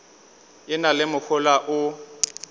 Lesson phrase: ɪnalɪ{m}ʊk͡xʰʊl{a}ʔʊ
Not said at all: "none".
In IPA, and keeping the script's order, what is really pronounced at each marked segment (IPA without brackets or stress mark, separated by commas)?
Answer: m, a